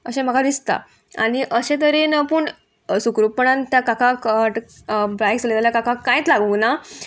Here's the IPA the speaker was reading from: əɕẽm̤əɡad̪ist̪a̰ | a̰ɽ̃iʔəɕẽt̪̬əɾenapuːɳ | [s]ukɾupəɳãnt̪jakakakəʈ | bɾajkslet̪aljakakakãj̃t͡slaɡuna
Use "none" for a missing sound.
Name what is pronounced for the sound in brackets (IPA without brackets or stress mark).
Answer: s